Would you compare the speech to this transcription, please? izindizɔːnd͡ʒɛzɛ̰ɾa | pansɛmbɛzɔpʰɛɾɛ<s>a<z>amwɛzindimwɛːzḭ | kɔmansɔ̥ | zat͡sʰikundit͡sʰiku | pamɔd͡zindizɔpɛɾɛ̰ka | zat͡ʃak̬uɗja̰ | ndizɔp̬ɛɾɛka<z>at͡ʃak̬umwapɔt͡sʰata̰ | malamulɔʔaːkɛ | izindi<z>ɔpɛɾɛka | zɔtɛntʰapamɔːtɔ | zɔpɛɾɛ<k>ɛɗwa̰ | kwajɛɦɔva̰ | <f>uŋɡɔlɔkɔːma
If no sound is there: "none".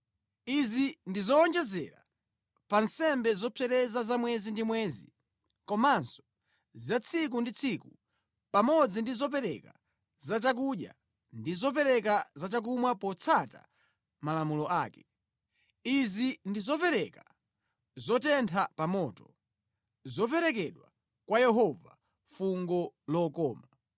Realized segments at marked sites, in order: z, z, z, z, k, f

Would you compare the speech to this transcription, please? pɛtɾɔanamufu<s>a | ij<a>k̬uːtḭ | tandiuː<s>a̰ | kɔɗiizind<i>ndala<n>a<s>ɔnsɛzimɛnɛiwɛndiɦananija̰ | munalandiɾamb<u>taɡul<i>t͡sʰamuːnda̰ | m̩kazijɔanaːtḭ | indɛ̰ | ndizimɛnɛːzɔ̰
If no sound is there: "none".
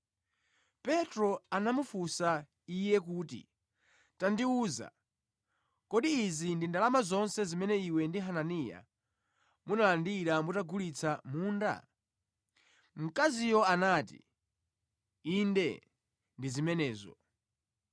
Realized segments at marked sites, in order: s, ɛ, z, i, m, z, u, i

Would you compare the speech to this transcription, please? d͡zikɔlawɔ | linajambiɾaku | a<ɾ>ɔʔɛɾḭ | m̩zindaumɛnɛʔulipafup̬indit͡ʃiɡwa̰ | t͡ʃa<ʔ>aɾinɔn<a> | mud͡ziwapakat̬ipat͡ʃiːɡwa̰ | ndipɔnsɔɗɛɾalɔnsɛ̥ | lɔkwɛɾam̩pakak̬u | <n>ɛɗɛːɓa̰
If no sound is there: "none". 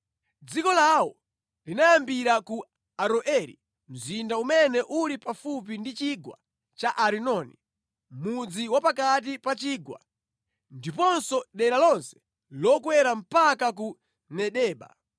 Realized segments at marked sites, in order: ɾ, ʔ, i, n

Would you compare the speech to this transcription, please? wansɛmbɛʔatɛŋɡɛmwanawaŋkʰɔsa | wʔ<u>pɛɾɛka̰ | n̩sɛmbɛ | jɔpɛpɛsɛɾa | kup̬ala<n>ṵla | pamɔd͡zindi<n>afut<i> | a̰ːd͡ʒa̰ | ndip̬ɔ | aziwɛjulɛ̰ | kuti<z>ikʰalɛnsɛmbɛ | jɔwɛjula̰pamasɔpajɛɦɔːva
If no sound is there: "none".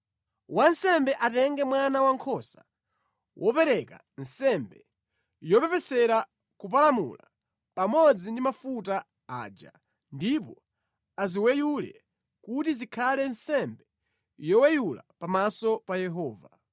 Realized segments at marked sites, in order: ɔ, m, m, a, z

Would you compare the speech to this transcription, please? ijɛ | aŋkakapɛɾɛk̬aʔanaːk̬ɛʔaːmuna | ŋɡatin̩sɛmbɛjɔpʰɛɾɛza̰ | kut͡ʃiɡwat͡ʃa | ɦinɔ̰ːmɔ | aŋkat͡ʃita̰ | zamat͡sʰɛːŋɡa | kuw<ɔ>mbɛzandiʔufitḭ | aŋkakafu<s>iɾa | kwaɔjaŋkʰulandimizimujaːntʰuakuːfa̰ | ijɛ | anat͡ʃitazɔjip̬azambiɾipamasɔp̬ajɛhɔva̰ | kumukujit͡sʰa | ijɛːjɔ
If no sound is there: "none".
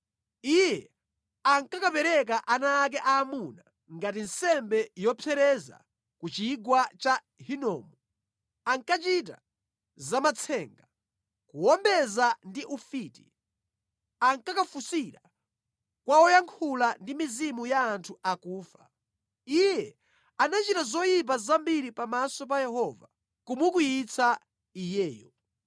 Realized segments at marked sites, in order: ɔ, s

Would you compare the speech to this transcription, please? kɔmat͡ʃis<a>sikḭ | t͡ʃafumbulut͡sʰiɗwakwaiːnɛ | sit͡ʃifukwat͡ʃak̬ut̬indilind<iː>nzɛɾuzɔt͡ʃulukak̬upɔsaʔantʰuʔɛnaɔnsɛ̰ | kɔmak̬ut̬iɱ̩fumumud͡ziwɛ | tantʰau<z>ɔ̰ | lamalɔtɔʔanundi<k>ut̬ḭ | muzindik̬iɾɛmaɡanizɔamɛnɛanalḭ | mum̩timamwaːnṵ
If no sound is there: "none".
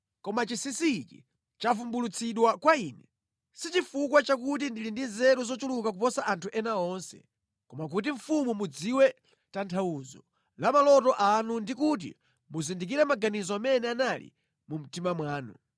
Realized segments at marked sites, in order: i, i, z, k

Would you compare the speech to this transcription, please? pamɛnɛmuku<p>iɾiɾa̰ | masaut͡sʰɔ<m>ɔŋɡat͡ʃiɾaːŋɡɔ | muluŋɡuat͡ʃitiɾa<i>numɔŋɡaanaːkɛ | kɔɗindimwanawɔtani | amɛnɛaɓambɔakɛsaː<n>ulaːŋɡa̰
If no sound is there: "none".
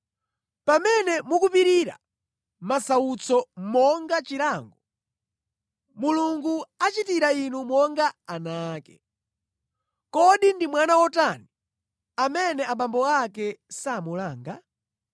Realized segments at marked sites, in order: p, m, i, m

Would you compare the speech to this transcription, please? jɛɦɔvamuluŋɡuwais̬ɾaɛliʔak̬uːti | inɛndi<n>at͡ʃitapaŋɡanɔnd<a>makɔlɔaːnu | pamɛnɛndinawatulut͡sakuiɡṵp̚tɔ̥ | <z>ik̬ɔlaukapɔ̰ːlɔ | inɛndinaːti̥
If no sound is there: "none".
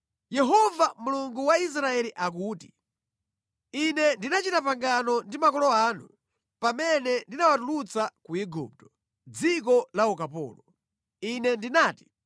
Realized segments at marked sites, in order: n, i, d͡z

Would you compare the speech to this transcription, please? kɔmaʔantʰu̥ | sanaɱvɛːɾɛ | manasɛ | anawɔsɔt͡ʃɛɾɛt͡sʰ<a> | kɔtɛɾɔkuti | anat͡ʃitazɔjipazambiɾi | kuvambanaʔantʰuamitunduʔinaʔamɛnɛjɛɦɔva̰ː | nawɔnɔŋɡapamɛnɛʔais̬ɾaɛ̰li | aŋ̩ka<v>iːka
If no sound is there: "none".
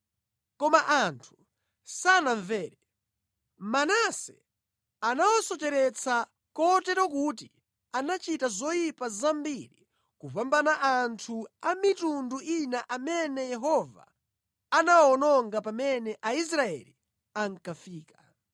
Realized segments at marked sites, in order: a, f

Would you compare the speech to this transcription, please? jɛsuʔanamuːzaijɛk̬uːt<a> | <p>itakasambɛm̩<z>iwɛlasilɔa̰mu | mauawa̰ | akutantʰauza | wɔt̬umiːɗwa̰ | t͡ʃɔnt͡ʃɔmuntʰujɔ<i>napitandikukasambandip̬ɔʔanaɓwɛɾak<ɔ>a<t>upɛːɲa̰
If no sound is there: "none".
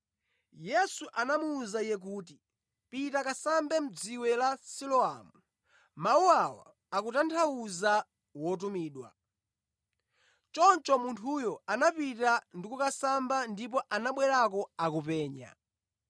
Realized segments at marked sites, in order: i, p, d͡z, a, ɔ, k

